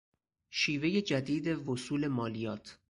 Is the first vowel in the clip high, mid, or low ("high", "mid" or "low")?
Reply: high